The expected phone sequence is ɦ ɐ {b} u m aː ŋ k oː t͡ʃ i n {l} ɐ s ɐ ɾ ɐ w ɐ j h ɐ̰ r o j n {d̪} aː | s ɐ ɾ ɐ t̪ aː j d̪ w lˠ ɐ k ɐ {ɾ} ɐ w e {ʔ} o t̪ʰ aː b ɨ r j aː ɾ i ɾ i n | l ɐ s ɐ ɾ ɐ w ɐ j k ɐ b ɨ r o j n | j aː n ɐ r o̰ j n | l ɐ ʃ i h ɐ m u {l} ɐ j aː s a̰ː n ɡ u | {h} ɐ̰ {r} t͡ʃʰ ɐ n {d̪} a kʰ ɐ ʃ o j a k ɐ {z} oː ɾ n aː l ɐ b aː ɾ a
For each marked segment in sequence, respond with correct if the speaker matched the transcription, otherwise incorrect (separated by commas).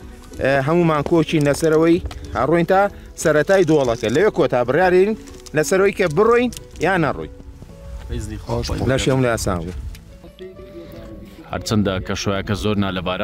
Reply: incorrect, correct, incorrect, incorrect, incorrect, correct, correct, incorrect, correct, correct